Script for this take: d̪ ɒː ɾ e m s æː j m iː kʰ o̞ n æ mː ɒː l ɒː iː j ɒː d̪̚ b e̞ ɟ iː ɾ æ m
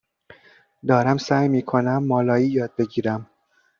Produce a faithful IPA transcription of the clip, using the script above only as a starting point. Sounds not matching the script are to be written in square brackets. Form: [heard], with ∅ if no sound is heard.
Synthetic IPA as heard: d̪ ɒː ɾ [æ] m s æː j m iː kʰ o̞ n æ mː ɒː l ɒː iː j ɒː d̪̚ b e̞ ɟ iː ɾ æ m